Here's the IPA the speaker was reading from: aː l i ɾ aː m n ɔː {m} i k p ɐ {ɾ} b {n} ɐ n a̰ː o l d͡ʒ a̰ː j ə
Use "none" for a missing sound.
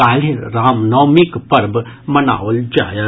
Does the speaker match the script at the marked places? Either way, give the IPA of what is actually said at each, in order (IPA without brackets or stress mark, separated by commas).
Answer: m, ɾ, m